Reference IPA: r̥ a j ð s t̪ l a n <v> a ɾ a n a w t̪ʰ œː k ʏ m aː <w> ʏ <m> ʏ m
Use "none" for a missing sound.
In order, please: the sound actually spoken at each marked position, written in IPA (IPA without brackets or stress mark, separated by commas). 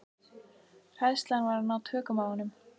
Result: v, w, n